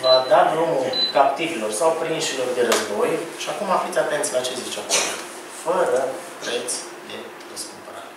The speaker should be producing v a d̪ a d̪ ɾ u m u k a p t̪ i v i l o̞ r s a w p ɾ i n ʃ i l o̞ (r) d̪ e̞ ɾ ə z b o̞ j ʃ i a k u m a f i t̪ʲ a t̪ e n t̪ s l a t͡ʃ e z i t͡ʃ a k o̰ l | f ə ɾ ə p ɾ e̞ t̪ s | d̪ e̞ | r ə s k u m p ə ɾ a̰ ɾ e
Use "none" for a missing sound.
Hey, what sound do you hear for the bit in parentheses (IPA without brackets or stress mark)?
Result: r